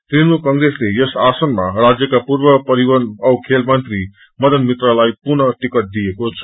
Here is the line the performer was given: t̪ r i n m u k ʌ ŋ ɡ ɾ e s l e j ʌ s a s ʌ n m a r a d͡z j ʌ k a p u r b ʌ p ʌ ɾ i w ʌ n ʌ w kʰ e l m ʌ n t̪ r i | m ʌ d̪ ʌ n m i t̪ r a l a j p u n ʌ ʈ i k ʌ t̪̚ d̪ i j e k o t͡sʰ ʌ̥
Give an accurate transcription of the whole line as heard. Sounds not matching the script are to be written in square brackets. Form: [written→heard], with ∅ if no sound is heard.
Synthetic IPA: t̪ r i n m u k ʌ ŋ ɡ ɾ e s l e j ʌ s a s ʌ n m a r a d͡z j ʌ k a p u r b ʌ p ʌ ɾ i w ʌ n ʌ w kʰ e l m ʌ n t̪ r i | m ʌ d̪ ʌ n m i t̪ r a l a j p u n ʌ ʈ i k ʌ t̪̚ d̪ i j e k o t͡sʰ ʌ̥